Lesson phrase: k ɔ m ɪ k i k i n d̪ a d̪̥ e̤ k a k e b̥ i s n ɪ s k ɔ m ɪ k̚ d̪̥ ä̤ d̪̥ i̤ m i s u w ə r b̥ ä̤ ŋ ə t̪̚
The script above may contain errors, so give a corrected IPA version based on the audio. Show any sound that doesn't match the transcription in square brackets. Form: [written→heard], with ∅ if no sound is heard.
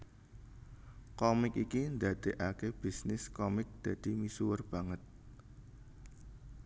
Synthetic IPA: k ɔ m ɪ k i k i n d̪ a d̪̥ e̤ [k→ʔ] a k e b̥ i s n ɪ s k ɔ m ɪ k̚ d̪̥ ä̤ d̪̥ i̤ m i s u w ə r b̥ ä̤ ŋ ə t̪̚